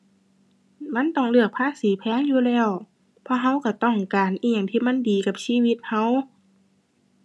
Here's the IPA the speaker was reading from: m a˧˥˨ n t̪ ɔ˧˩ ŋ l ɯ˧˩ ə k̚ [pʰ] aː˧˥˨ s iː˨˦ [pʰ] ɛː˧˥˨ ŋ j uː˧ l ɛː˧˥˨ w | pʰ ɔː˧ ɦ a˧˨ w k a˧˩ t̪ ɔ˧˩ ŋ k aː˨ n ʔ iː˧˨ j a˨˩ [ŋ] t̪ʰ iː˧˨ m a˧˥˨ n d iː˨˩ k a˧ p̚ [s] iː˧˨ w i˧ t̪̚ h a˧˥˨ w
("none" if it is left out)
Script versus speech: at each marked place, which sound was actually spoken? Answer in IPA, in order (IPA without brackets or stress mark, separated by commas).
pʰ, pʰ, ŋ, s